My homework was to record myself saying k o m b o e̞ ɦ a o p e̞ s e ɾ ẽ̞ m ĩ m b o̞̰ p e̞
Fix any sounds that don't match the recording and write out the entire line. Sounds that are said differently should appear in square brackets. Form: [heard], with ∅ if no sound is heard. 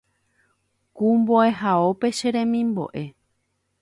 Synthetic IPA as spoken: k [u] m b o e̞ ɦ a o p e̞ [ʃ] e ɾ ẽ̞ m ĩ m b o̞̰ [ʔ] e̞

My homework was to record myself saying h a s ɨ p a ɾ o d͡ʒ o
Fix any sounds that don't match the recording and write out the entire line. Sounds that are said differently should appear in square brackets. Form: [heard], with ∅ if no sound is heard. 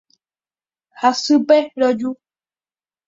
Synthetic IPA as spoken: h a s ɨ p [e] ɾ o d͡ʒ [u]

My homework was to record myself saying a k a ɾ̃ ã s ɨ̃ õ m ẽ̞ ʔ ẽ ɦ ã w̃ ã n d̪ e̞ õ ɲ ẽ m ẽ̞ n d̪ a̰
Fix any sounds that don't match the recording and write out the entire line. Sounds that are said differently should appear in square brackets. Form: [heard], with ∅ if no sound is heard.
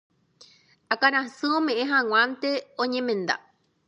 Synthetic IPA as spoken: a k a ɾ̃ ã s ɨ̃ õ m ẽ̞ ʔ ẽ ɦ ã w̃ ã n [t̪] e̞ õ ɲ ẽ m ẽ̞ n d̪ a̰

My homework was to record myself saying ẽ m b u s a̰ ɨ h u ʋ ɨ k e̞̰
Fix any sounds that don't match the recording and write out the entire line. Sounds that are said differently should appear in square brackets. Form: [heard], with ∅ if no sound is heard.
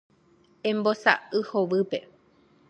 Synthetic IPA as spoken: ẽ m b [o] s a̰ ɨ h [o] ʋ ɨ [p] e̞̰

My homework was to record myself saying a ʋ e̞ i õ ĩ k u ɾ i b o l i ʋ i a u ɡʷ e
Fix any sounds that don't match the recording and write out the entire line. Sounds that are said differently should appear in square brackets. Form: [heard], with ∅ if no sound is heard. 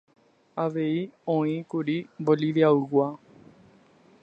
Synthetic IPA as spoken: a ʋ e̞ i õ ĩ k u ɾ i b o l i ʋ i a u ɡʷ [a]

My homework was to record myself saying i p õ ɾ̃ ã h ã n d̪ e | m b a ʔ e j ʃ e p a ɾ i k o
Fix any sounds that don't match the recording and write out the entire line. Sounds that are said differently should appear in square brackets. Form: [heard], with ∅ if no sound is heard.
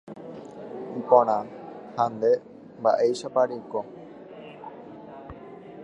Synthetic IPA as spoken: i p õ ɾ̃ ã h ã n d̪ e | m b a ʔ e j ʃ [a] p a ɾ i k o

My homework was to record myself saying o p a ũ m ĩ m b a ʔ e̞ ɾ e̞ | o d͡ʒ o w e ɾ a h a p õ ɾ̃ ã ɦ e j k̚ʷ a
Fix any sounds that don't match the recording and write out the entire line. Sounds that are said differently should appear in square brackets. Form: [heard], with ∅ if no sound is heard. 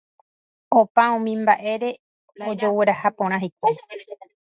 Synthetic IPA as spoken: o p a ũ m ĩ m b a ʔ e̞ ɾ e̞ | o d͡ʒ o w e ɾ a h a p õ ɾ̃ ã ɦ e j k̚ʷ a

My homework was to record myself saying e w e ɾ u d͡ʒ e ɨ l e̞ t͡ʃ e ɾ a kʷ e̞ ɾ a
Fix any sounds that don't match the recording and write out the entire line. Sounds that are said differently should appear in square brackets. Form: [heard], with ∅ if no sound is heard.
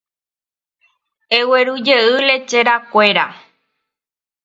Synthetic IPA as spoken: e w e ɾ u d͡ʒ e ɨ l e̞ t͡ʃ e ɾ a kʷ e̞ ɾ a

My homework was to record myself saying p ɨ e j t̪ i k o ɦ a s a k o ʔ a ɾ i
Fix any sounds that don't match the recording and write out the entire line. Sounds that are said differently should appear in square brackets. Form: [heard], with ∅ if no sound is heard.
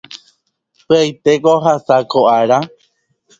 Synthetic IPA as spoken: p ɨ [a] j t̪ [e] k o ɦ a s a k o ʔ a ɾ [a]

